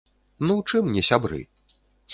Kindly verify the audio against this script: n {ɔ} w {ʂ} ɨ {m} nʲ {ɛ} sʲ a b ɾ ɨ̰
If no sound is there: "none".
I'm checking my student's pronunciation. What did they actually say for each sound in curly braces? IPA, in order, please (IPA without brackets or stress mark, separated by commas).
u, t͡ʂ, m, ɛ